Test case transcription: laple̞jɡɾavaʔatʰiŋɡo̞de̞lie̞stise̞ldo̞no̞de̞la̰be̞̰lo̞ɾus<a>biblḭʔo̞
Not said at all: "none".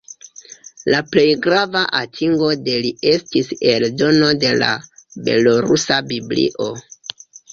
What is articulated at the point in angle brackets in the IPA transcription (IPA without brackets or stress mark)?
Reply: a